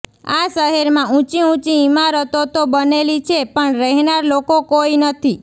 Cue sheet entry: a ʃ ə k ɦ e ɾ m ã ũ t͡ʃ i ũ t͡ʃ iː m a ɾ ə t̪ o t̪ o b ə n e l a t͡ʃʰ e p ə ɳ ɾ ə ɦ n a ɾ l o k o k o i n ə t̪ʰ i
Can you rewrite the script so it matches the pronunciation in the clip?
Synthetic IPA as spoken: a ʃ ə ɦ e ɾ m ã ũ t͡ʃ i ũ t͡ʃ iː m a ɾ ə t̪ o t̪ o b ə n e l i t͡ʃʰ e p ə ɳ ɾ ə ɦ n a ɾ l o k o k o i n ə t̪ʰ i